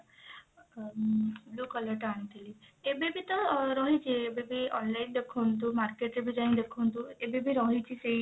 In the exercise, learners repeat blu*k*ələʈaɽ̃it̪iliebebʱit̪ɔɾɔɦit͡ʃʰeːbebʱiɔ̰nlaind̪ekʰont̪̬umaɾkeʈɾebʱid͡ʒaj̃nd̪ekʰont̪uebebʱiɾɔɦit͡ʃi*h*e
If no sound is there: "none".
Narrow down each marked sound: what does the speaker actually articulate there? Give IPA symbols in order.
k, s

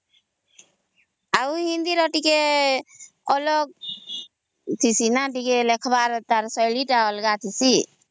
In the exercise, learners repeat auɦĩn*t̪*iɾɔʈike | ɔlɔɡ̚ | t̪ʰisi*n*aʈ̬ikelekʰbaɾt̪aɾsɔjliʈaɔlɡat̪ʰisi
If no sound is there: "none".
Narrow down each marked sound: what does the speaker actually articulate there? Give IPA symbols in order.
d̪, n

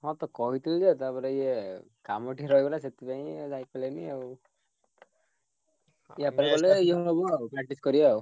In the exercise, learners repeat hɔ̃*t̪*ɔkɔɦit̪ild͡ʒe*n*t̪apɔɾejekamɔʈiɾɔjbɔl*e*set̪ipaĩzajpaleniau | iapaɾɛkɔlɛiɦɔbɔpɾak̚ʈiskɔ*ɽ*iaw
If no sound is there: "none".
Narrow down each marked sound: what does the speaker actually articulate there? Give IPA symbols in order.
t̪, none, a, ɾ

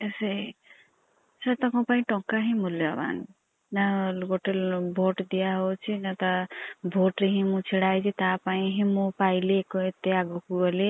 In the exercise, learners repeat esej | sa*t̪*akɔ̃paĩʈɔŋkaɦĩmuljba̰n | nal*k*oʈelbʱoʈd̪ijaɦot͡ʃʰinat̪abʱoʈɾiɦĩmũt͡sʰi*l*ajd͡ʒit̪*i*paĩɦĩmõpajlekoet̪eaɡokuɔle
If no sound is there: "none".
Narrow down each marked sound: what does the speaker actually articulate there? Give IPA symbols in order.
t̪, ɡ, ɽ, a

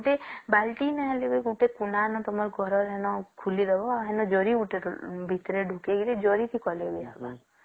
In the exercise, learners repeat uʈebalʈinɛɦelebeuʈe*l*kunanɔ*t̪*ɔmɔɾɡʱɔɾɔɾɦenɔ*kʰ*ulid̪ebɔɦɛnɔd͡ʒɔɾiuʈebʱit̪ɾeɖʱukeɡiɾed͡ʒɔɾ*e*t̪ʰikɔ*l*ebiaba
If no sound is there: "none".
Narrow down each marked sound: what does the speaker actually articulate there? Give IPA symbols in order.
none, t̪, kʰ, i, l

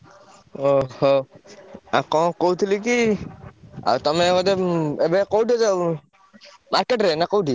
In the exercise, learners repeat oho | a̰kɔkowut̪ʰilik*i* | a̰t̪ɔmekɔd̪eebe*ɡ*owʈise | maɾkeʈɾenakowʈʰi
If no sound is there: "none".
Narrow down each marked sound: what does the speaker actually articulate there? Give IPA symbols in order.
i, k

